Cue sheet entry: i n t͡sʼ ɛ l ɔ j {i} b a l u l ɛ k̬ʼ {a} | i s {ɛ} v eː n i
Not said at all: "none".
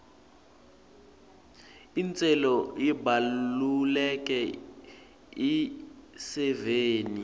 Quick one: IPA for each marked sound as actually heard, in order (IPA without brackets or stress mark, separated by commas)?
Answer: i, ɛ, ɛ